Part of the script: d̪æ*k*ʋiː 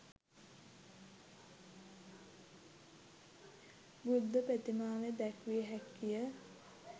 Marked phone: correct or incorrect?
correct